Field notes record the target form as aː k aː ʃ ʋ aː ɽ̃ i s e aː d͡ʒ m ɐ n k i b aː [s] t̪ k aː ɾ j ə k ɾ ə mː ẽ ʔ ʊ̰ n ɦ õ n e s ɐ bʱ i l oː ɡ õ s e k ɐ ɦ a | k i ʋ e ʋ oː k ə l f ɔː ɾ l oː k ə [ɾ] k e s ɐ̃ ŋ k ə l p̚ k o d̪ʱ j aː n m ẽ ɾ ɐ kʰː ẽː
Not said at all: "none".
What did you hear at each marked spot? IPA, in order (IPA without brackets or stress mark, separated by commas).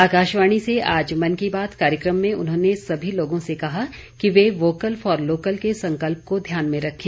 none, l